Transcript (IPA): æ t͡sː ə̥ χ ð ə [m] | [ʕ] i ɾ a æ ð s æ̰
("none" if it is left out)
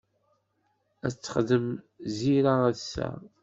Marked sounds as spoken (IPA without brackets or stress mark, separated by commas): m, z